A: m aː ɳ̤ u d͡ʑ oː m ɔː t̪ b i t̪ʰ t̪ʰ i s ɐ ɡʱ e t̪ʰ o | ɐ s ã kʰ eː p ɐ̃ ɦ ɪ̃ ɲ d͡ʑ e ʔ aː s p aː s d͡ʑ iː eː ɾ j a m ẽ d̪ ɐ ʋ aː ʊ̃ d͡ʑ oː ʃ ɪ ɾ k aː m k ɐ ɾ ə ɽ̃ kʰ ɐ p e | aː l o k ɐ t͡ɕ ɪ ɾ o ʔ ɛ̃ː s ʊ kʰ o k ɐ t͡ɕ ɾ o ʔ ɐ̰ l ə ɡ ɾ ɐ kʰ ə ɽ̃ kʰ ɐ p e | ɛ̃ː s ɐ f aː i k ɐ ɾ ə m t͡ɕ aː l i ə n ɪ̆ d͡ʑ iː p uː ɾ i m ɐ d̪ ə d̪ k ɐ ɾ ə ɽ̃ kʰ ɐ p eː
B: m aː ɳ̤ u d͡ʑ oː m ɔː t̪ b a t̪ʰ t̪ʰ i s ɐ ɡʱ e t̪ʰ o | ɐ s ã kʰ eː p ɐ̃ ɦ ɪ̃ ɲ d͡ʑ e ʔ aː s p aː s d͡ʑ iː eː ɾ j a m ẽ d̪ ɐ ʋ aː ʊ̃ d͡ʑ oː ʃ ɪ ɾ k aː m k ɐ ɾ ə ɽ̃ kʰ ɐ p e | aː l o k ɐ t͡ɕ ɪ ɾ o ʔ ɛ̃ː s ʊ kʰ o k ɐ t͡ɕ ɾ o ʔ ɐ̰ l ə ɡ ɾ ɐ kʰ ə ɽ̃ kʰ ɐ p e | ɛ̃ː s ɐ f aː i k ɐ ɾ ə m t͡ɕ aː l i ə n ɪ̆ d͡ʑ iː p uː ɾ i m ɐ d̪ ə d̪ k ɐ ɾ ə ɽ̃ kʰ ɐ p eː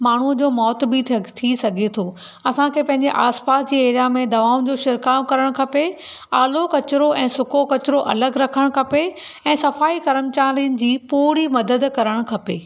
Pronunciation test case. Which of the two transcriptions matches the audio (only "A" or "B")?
A